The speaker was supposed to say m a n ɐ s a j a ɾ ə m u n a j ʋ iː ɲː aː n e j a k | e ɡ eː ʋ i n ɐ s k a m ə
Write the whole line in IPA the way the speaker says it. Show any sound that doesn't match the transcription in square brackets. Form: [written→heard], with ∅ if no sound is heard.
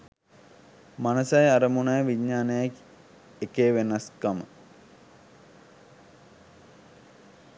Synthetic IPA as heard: m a n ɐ s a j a ɾ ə m u n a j ʋ [iː→i] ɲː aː n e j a k | e [ɡ→k] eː ʋ [i→e] n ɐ s k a m ə